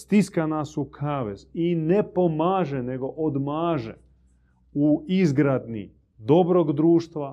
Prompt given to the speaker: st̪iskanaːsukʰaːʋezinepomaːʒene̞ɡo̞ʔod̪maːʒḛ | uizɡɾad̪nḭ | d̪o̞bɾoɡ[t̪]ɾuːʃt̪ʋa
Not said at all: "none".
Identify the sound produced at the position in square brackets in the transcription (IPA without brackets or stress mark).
d̪